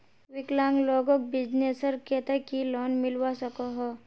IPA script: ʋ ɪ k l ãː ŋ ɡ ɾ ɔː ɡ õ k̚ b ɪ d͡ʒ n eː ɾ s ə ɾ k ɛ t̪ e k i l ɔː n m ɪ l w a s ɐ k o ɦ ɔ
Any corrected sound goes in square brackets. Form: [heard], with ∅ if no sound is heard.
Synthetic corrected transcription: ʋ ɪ k l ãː ŋ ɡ [l] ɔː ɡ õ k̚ b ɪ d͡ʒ n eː [∅] s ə ɾ k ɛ t̪ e k i l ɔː n m ɪ l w a s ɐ k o ɦ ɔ